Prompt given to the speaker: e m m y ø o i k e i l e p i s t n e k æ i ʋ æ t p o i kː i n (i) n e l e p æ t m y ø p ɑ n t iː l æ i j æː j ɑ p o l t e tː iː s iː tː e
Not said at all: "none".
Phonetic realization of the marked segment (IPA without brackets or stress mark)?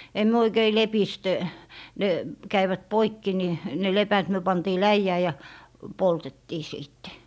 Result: i